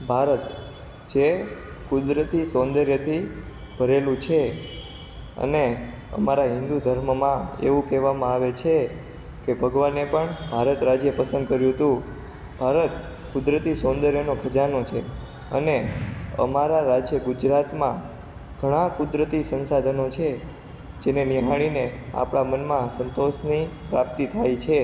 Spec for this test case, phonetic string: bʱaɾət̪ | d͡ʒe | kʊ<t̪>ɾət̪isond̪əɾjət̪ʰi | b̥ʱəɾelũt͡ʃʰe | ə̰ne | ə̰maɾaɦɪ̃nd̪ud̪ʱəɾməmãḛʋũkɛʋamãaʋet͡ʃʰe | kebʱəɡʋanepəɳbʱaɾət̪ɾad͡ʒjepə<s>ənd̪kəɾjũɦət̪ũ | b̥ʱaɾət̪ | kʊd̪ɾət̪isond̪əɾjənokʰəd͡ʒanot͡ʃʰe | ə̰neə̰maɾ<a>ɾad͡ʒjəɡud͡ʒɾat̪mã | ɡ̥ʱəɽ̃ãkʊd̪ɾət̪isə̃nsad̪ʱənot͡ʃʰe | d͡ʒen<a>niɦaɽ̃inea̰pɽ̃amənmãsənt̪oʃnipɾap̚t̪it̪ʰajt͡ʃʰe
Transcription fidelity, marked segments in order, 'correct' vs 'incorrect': incorrect, correct, correct, incorrect

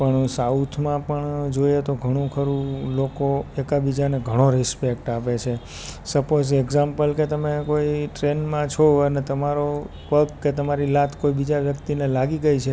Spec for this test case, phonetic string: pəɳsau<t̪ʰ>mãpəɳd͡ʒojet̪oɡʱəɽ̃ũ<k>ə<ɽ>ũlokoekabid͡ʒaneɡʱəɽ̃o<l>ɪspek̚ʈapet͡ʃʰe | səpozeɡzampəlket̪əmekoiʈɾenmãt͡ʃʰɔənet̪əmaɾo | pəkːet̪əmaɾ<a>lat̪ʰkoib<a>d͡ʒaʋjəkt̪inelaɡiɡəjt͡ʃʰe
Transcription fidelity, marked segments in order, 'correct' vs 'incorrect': correct, incorrect, incorrect, incorrect, incorrect, incorrect

